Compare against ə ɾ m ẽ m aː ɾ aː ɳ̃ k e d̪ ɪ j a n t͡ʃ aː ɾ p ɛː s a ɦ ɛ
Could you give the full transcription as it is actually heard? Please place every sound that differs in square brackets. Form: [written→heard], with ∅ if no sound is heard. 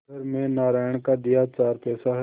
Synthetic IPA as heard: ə ɾ m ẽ [m→n] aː ɾ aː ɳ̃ k [e→a] d̪ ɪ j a [n→∅] t͡ʃ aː ɾ p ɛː s a ɦ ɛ